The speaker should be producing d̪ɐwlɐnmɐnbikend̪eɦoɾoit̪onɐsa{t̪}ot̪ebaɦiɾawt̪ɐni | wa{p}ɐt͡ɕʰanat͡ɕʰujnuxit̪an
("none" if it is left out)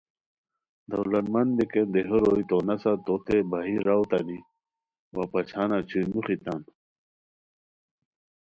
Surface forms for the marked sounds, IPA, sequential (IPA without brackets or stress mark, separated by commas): t̪, p